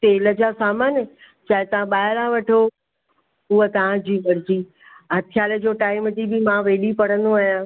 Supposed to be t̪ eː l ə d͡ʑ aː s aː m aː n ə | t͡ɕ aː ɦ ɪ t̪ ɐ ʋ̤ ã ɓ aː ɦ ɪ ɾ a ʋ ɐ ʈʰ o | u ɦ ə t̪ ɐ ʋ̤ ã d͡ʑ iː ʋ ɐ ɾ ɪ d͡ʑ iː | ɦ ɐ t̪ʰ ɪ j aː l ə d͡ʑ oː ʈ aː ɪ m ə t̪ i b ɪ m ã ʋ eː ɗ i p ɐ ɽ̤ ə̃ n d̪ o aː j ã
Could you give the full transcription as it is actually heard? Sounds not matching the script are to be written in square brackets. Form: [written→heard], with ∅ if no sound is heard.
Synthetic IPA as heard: t̪ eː l ə d͡ʑ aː s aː m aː n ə | t͡ɕ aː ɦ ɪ t̪ ɐ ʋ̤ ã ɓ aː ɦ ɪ ɾ a ʋ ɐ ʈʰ o | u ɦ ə t̪ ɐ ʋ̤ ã d͡ʑ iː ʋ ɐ ɾ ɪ d͡ʑ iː | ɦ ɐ t̪ʰ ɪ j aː l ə d͡ʑ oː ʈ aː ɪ m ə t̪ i b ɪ m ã ʋ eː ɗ i p ɐ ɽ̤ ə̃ n d̪ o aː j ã